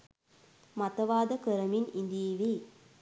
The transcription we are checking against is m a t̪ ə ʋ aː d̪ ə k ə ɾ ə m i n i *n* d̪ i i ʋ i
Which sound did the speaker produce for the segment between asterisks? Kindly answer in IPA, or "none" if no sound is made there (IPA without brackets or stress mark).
n